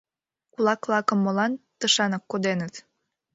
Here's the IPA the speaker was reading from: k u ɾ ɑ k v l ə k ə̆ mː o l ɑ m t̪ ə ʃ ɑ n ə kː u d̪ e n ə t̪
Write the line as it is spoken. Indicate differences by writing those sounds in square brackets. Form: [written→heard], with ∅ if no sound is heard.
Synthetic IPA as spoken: k u [ɾ→l] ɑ k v l [ə→ɑ] k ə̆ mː o l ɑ [m→n] t̪ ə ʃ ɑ n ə kː [u→o] d̪ e n ə t̪